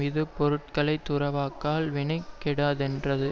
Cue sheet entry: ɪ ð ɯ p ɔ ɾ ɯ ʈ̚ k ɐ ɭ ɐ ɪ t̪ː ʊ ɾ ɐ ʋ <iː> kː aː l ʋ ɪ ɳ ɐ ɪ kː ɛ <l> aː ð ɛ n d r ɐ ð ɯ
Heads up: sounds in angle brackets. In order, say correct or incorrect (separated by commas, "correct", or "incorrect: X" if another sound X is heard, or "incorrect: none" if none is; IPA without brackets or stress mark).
incorrect: aː, incorrect: ɽ